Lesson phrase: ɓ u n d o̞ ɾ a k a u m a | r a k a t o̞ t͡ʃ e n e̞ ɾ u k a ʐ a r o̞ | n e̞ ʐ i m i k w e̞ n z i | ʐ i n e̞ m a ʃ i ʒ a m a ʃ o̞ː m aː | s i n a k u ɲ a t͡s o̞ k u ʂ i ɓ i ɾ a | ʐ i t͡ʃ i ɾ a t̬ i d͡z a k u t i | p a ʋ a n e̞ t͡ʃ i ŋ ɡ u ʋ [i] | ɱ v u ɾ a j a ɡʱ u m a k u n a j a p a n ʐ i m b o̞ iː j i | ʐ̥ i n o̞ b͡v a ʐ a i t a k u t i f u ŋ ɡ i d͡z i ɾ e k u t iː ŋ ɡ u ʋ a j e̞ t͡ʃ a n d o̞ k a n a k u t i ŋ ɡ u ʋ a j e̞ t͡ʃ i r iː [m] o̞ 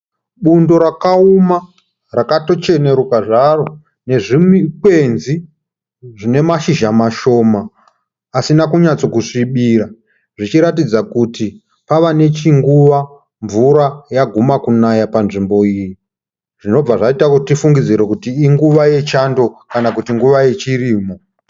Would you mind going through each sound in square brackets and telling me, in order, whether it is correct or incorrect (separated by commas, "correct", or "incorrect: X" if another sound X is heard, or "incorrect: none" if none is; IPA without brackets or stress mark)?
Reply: incorrect: a, correct